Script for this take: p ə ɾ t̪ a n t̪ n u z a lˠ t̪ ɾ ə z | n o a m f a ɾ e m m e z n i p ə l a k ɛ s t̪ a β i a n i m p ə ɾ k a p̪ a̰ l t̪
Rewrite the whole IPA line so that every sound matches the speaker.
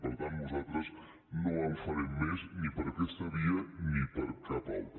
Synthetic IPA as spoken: p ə ɾ t̪ a n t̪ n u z a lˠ t̪ ɾ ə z | n o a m f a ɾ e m m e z n i p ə ɾ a k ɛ s t̪ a β i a n i p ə ɾ k a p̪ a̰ l t̪